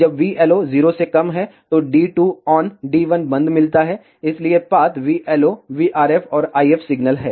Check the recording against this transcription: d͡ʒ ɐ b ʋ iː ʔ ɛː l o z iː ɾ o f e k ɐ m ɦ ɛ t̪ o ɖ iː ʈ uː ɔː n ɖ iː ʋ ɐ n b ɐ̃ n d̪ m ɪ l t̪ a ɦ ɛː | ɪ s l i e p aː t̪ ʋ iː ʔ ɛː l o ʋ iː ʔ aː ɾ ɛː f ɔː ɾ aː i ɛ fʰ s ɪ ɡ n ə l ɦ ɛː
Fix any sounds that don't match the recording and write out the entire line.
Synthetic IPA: d͡ʒ ɐ b ʋ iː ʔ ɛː l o z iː ɾ o s e k ɐ m ɦ ɛ t̪ o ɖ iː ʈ uː ɔː n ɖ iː ʋ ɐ n b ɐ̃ n d̪ m ɪ l t̪ a ɦ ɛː | ɪ s l i e p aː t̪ ʋ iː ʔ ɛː l o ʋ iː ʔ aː ɾ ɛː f ɔː ɾ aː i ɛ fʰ s ɪ ɡ n ə l ɦ ɛː